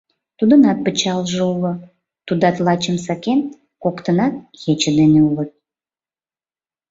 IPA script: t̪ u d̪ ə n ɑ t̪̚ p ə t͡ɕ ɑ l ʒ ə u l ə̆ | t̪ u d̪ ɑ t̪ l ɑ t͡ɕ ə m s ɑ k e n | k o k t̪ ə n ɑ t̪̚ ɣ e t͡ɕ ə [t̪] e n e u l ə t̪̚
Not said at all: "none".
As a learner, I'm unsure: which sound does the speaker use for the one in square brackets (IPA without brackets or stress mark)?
d̪